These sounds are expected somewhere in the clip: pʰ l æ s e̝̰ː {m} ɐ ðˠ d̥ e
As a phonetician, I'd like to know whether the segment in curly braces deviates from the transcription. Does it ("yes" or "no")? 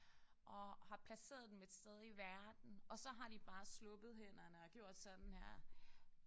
yes